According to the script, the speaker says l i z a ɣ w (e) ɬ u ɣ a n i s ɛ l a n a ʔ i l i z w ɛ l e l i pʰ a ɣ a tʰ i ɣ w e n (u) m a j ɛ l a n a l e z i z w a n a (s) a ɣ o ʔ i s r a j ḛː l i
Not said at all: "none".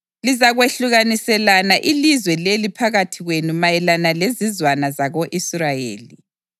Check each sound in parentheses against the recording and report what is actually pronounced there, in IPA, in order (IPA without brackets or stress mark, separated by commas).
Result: e, u, z